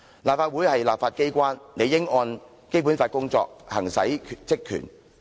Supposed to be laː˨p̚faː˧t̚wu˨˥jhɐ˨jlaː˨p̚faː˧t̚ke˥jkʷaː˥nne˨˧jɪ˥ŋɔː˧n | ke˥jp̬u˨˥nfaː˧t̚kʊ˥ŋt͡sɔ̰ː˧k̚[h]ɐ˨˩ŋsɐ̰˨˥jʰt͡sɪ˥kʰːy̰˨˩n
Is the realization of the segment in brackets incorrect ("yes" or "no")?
no